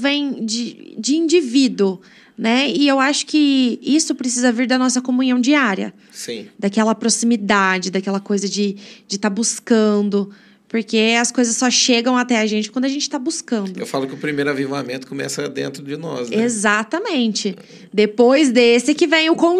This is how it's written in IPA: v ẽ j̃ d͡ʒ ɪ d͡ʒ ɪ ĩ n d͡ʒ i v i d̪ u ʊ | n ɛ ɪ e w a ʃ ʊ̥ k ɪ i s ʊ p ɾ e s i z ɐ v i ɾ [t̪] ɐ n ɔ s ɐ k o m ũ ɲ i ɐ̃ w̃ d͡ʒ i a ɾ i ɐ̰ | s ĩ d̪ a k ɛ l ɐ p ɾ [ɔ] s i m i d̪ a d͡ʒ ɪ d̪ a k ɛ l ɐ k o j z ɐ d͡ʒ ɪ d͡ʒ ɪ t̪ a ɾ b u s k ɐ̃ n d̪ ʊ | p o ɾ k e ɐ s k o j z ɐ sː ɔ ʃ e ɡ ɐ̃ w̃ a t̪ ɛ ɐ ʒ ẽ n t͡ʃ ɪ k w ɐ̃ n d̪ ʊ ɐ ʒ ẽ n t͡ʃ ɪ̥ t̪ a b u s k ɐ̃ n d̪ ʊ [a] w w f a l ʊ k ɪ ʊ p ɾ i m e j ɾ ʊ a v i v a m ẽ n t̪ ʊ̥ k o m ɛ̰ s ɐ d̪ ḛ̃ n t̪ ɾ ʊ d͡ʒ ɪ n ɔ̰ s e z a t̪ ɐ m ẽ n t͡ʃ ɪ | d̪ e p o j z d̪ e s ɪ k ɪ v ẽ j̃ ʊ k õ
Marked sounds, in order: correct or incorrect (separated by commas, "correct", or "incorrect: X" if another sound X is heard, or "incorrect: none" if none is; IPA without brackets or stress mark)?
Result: incorrect: d̪, incorrect: o, incorrect: e